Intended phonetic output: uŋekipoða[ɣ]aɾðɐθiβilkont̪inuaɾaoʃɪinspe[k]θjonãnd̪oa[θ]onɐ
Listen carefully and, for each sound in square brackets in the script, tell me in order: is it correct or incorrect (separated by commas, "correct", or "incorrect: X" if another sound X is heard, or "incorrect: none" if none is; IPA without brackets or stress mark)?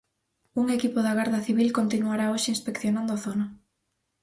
correct, correct, correct